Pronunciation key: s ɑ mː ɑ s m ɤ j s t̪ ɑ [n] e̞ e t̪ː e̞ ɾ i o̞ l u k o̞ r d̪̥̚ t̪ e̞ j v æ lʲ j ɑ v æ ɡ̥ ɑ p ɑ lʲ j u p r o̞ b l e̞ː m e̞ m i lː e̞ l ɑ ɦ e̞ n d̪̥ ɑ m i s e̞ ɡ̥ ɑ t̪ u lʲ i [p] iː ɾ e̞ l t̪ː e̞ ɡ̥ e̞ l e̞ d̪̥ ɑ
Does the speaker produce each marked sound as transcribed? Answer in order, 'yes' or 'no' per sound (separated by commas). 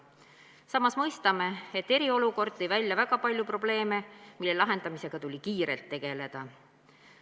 no, no